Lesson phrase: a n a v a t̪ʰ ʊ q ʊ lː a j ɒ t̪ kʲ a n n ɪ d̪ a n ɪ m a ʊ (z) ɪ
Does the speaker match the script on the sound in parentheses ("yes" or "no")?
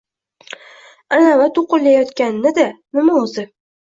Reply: yes